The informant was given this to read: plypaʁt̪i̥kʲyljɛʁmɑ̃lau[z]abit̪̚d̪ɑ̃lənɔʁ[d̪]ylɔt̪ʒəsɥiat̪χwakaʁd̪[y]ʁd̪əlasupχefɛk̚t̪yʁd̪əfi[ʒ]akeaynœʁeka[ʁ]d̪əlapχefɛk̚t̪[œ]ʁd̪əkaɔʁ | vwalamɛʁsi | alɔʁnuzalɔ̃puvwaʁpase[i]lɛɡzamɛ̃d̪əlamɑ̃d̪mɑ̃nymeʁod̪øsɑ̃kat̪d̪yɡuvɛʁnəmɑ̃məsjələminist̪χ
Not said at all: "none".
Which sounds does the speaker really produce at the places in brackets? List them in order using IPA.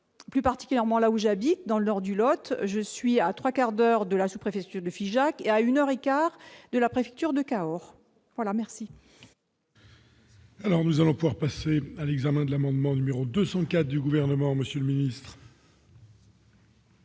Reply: ʒ, d̪, œ, ʒ, ʁ, y, a

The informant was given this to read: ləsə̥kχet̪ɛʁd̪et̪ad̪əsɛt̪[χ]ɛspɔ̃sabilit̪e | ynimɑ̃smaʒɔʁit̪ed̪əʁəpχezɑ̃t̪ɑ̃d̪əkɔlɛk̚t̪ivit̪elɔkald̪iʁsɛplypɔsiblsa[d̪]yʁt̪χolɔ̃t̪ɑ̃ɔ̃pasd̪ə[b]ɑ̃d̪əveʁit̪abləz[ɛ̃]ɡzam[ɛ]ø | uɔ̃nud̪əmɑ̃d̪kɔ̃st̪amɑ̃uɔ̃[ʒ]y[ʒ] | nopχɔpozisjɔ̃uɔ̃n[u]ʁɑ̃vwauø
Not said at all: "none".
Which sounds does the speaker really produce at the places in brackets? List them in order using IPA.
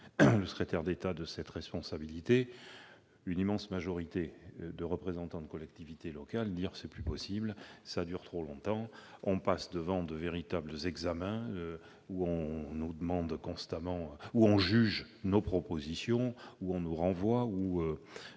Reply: ʁ, d̪, v, ɛ, ɛ̃, ʒ, ʒ, u

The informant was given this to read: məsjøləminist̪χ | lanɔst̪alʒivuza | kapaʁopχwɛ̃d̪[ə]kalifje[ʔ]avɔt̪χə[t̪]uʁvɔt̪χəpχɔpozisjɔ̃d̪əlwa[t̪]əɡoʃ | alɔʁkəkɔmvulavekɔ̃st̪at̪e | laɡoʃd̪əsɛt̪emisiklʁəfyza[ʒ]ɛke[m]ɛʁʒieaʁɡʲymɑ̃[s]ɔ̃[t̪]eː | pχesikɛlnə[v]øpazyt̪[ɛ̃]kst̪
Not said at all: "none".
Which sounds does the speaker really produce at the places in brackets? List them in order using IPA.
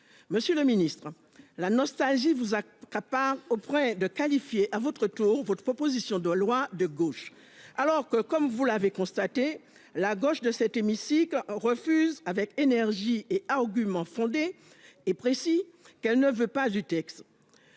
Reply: ə, ʔ, t̪, d̪, v, n, f, d̪, v, ɛ

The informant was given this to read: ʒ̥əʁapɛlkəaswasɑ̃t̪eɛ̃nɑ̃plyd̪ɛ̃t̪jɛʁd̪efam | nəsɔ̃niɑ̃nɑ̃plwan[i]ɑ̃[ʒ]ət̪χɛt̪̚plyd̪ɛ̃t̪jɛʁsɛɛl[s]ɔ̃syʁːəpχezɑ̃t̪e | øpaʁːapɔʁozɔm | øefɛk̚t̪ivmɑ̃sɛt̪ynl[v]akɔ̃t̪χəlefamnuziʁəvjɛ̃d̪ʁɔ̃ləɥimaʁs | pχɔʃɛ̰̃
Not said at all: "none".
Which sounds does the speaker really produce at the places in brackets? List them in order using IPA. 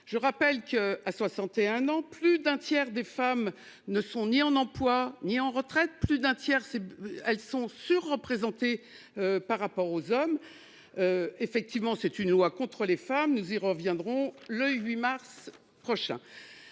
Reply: i, ʁ, s, w

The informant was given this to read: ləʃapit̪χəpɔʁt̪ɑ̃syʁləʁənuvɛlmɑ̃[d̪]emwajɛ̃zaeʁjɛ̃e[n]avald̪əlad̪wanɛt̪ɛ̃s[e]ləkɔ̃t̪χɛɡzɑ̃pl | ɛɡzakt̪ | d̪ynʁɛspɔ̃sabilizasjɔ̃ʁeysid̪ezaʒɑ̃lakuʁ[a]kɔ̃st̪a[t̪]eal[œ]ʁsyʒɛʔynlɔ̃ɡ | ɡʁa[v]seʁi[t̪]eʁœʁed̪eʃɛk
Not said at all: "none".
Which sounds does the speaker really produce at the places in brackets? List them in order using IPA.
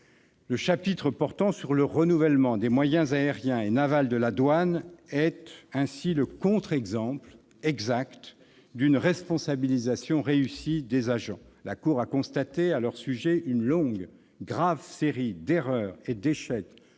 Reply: d̪, n, i, a, t̪, œ, v, d̪

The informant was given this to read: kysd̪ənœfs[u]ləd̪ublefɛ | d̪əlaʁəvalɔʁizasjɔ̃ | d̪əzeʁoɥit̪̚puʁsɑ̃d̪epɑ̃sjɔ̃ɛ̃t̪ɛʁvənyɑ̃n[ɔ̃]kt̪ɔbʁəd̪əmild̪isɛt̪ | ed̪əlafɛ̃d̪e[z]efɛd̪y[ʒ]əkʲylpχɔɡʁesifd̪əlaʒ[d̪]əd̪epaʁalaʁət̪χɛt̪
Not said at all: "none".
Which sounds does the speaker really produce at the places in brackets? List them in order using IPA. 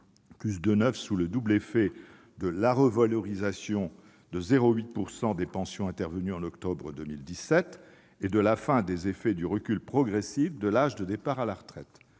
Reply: u, ɔ, z, ʁ, d̪

